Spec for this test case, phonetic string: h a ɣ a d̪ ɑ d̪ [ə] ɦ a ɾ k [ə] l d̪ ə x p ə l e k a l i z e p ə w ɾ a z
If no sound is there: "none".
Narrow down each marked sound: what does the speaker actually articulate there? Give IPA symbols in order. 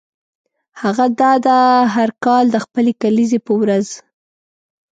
a, ɑ

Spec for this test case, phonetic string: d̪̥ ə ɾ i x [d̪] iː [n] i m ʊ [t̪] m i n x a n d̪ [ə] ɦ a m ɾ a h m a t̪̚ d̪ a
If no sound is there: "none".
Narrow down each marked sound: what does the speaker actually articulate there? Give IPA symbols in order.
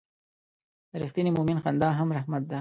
t̪, n, none, ɑ

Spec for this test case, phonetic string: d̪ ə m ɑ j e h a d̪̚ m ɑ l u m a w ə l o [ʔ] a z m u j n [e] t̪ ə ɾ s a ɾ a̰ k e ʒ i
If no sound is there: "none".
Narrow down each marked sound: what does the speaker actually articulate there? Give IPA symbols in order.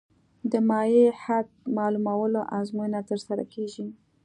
ʔ, a

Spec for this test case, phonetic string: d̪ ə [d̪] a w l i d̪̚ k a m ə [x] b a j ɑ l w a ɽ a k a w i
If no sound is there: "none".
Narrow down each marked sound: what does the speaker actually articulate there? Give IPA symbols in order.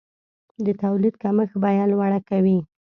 t̪, x

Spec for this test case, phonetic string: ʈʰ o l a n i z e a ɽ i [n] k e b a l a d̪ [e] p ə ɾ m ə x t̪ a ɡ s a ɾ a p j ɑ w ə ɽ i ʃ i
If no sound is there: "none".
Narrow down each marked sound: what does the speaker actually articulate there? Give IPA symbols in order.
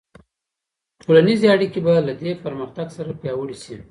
none, e

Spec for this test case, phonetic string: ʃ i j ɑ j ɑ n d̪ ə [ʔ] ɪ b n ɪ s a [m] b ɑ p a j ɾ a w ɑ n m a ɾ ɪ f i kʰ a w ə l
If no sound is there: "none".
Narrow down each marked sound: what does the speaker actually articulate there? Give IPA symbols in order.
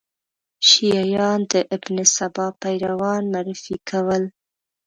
ʔ, none

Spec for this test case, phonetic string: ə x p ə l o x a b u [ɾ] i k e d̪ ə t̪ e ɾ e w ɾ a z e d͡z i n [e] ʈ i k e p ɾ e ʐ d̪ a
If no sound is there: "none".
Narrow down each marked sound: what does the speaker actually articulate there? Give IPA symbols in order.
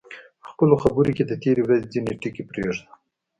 ɾ, e

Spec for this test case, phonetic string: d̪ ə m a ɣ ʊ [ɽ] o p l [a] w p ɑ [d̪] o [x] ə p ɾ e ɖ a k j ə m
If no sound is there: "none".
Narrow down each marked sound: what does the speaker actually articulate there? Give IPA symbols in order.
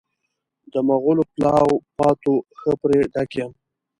l, ɑ, t̪, x

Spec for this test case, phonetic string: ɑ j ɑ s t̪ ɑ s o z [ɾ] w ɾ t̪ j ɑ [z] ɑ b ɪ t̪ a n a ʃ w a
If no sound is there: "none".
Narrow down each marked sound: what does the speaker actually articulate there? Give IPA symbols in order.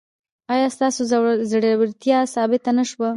ɽ, s

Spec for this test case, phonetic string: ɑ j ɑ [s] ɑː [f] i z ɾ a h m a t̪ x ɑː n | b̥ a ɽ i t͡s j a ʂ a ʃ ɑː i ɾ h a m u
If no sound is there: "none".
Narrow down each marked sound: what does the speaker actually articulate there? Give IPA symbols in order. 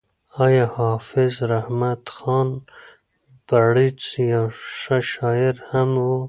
h, f

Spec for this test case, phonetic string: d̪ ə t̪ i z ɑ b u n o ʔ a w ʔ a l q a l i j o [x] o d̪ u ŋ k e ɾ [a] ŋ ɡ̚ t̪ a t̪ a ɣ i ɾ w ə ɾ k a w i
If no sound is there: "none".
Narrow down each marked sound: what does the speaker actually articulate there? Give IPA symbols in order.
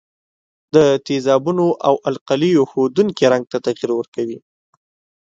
x, a

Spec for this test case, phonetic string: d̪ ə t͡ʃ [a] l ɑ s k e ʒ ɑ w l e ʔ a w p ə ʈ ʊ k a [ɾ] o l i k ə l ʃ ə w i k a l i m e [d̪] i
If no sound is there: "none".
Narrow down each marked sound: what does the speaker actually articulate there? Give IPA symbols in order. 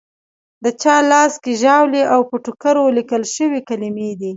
ɑ, ɾ, d̪

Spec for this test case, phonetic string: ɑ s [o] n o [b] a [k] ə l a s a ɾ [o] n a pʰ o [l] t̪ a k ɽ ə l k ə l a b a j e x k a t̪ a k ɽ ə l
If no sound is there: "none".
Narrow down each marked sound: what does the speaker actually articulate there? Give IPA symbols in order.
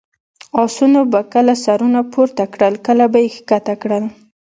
u, b, k, u, ɾ

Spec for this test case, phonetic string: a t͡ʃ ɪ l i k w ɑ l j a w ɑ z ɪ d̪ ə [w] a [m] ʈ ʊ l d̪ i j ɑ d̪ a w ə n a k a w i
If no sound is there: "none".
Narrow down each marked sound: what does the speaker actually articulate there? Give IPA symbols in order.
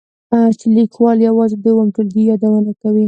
w, m

